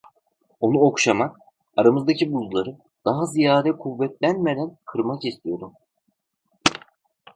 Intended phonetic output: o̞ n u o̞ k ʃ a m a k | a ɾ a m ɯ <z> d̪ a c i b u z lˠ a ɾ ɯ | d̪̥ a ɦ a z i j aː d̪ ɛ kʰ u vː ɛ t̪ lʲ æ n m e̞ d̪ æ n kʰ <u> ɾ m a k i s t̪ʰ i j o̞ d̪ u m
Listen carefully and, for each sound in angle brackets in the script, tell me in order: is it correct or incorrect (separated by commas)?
correct, incorrect